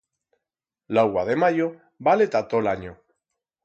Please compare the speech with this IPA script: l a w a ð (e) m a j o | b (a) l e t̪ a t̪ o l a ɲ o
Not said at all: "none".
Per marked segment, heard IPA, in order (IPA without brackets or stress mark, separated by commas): e, a